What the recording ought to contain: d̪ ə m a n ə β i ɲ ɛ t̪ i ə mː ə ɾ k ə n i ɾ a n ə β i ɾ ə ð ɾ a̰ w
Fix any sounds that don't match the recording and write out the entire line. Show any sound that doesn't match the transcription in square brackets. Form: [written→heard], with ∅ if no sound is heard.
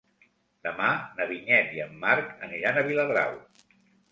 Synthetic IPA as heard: d̪ ə m a n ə β i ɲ ɛ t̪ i ə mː [ə→a] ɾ k ə n i ɾ a n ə β i [ɾ→l] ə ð ɾ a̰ w